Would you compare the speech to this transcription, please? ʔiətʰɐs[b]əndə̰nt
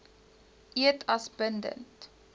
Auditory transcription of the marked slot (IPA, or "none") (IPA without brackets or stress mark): b